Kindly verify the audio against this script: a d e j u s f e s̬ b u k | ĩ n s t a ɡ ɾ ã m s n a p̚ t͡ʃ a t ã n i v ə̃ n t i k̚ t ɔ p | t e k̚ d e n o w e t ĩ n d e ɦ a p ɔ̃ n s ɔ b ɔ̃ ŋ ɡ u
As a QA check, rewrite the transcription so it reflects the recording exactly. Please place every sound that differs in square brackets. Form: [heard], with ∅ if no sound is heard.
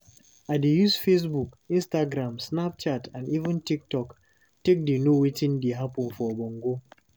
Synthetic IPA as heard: a d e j u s f e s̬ b u k | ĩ n s t a ɡ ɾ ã m s n a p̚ t͡ʃ a t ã n i v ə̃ n t i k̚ t ɔ [k] | t e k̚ d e n o w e t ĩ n d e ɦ a p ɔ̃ n [f] ɔ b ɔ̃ ŋ ɡ [o]